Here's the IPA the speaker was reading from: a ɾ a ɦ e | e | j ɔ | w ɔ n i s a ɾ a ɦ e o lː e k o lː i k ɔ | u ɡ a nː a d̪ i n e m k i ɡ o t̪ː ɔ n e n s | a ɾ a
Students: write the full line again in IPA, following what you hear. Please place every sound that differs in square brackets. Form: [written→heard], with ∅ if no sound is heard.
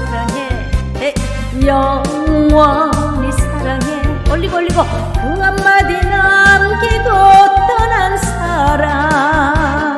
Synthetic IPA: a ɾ a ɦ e | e | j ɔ | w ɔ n i s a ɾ a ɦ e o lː [e→i] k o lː i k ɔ | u [ɡ→ŋ] a [nː→mː] a d̪ i n [e→a] m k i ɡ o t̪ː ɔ n [e→a] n s | a ɾ a